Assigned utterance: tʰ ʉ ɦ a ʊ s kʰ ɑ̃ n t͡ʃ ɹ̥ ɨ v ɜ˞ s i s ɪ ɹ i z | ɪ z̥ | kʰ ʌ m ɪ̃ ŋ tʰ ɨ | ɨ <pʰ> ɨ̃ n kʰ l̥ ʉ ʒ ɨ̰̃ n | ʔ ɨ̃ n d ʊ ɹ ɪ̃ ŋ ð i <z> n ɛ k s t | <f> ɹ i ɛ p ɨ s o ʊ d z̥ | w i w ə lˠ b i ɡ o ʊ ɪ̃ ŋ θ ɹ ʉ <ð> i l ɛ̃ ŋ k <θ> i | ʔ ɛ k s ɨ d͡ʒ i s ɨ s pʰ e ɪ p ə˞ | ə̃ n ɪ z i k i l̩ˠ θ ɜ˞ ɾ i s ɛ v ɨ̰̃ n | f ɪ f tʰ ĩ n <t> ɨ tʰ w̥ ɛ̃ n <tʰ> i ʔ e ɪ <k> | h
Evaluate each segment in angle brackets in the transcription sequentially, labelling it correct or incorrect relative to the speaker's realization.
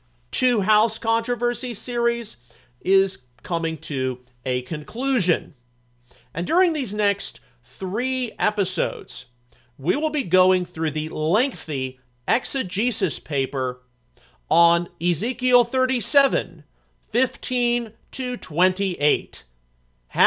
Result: incorrect: kʰ, correct, incorrect: θ, correct, correct, incorrect: tʰ, incorrect: t, incorrect: t

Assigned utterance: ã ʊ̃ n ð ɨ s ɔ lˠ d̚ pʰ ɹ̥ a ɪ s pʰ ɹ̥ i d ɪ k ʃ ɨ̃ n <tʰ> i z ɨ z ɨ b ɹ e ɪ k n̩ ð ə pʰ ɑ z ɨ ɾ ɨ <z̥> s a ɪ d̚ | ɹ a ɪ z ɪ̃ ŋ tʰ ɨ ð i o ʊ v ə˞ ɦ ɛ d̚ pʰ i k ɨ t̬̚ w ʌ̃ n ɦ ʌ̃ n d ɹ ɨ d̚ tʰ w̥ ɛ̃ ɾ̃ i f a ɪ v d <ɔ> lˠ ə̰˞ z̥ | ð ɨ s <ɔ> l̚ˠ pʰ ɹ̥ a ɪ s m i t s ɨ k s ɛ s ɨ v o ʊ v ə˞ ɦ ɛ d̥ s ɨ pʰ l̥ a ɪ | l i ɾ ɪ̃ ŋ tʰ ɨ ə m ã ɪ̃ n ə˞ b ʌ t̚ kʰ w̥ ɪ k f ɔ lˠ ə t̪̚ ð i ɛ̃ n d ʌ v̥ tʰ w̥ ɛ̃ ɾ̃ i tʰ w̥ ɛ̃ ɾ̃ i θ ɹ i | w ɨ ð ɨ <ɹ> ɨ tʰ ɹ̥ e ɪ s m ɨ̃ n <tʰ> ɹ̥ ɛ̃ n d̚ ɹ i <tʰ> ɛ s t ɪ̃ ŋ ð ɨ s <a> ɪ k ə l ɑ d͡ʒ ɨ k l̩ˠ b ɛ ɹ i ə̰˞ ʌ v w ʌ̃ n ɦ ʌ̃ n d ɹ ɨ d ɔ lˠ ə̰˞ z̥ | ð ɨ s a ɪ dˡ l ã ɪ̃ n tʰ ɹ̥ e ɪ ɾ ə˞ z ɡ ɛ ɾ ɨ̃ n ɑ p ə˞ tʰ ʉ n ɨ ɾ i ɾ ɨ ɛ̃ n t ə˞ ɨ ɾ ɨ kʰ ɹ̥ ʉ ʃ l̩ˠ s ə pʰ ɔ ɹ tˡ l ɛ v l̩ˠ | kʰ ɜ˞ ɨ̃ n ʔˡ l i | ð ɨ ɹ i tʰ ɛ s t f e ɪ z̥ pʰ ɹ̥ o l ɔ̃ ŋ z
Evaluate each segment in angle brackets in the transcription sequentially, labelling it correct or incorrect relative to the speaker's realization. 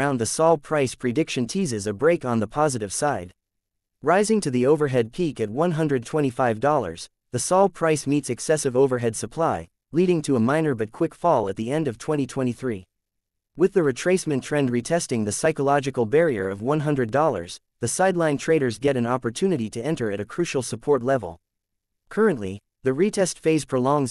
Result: correct, incorrect: v̥, correct, correct, correct, correct, correct, correct

